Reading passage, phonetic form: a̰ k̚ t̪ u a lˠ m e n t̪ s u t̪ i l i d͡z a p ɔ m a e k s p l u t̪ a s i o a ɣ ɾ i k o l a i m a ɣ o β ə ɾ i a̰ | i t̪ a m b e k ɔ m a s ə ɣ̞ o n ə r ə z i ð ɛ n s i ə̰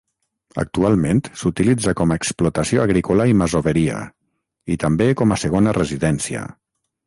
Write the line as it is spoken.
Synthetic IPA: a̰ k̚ t̪ u a lˠ m e n t̪ s u t̪ i l i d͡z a k ɔ m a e k s p l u t̪ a s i o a ɣ ɾ i k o l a i m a z o β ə ɾ i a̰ | i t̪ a m b e k ɔ m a s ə ɣ̞ o n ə r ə z i ð ɛ n s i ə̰

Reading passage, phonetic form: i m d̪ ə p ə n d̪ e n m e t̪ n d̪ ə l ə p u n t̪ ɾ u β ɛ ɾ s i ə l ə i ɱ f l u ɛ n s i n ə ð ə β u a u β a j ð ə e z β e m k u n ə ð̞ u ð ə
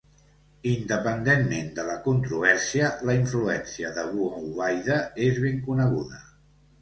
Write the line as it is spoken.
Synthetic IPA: i n d̪ ə p ə n d̪ e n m e n d̪ ə l ə k u n t̪ ɾ u β ɛ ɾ s i ə l ə i ɱ f l u ɛ n s i ə ð ə β u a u β a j ð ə e z β e ŋ k u n ə ɣ̞ u ð ə

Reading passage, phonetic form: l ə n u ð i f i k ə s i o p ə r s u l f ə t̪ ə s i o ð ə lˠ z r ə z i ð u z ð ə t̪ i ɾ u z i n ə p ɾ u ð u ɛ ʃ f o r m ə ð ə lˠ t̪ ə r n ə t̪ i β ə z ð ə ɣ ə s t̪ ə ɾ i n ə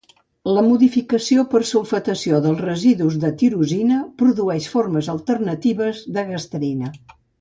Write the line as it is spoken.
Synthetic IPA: l ə m u ð i f i k ə s i o p ə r s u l f ə t̪ ə s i o ð ə lˠ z r ə z i ð u z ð ə t̪ i ɾ u z i n ə p ɾ u ð u ɛ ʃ f o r m ə z ə lˠ t̪ ə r n ə t̪ i β ə z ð ə ɣ ə s t̪ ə ɾ i n ə

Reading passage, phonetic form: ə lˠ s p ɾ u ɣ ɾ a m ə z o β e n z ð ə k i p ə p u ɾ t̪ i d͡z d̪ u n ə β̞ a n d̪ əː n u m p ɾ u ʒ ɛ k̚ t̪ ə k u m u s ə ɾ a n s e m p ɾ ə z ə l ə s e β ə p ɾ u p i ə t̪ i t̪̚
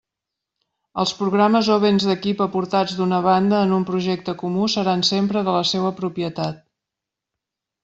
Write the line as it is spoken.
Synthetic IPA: ə lˠ s p ɾ u ɣ ɾ a m ə z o β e n z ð ə k i p ə p u ɾ t̪ a d͡z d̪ u n ə β̞ a n d̪ əː n u m p ɾ u ʒ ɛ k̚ t̪ ə k u m u s ə ɾ a n s e m p ɾ ə ð ə l ə s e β ə p ɾ u p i ə t̪ a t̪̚

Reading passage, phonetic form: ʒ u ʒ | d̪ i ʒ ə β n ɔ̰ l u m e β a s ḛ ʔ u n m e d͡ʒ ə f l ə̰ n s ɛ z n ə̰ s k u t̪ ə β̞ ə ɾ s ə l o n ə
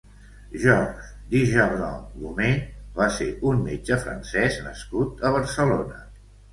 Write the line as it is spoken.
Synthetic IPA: ʒ ɔ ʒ | d̪ i ʒ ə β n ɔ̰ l u m e β a s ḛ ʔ u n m e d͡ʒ ə f ɾ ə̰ n s ɛ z n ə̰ s k u t̪ ə β̞ ə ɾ s ə l o n ə

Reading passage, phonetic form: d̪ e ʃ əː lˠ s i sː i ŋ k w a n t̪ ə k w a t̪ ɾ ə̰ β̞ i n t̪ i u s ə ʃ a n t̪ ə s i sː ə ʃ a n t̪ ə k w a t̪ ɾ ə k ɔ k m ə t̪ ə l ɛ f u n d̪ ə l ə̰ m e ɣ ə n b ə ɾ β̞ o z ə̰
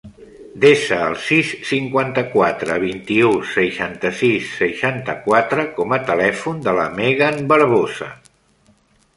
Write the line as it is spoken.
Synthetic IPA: d̪ e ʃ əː lˠ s i sː i ŋ k w a n t̪ ə k w a t̪ ɾ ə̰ β̞ i n t̪ i u s ə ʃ a n t̪ ə s i sː ə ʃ a n t̪ ə k w a t̪ ɾ ə k ɔ m ə t̪ ə l ɛ f u n d̪ ə l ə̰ m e ɣ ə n b ə ɾ β̞ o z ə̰

